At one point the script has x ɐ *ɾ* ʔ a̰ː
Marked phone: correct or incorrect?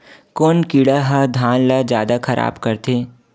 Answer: correct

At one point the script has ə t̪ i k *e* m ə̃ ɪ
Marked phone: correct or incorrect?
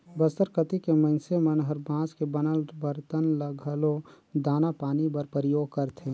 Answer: correct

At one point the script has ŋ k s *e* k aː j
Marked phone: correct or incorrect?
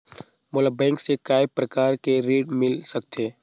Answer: correct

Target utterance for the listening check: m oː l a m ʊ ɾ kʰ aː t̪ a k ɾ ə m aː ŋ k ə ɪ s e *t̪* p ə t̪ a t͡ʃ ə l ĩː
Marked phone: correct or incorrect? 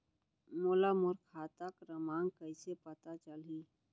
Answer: incorrect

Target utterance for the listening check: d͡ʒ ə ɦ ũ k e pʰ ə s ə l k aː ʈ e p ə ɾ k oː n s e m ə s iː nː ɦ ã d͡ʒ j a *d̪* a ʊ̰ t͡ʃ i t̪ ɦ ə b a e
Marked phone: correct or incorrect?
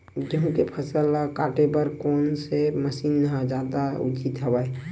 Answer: correct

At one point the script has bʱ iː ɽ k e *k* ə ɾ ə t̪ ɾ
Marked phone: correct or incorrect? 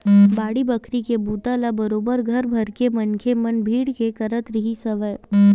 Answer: correct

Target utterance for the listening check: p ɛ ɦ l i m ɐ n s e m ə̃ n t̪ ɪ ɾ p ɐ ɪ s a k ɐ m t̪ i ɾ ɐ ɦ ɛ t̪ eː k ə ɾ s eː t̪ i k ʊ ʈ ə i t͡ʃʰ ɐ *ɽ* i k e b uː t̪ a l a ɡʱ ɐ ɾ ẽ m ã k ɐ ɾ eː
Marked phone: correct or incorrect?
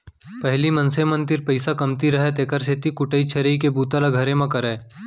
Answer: incorrect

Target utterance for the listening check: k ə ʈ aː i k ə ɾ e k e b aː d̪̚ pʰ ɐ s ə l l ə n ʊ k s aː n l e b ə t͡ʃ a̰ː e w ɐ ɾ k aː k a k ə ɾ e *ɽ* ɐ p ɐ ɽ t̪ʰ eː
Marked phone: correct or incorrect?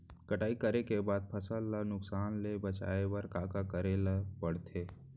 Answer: incorrect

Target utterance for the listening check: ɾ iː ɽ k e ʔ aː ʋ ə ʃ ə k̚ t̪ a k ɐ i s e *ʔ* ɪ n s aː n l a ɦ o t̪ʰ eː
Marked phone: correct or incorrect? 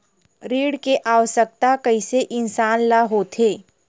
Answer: correct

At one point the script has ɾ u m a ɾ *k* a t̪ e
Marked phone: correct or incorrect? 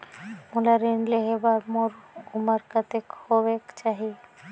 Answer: correct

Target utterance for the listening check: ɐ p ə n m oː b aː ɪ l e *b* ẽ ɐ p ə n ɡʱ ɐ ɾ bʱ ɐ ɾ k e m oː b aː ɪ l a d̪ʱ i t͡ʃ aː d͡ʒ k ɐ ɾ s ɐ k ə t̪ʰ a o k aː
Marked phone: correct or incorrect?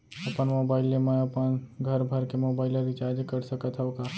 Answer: incorrect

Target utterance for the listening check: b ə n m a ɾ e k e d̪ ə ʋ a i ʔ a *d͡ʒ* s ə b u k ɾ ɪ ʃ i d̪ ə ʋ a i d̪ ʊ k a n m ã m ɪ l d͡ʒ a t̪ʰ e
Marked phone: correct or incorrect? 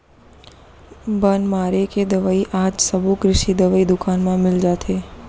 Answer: correct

